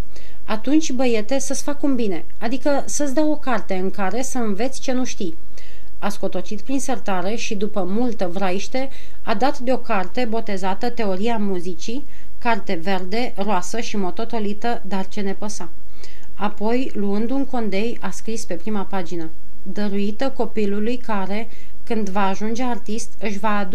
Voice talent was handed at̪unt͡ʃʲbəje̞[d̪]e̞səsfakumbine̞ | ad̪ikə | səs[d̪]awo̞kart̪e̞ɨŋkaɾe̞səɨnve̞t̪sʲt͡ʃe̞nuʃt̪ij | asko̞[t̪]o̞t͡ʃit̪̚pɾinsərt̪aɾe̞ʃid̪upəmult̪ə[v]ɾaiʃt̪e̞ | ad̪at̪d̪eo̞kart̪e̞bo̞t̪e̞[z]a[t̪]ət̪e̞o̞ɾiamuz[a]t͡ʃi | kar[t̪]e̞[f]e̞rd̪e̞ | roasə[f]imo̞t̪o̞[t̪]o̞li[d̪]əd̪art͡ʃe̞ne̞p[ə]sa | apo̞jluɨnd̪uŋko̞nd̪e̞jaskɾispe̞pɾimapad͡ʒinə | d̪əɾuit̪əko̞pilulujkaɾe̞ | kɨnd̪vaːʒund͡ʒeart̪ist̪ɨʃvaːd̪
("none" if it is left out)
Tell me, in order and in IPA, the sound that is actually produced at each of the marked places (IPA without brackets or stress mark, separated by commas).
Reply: t̪, d̪, t̪, v, z, t̪, i, t̪, v, ʃ, t̪, t̪, ə